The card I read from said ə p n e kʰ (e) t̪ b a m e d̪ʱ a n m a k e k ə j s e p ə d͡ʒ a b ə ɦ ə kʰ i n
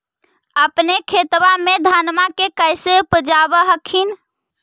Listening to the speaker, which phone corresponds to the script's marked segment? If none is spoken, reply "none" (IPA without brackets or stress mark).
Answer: e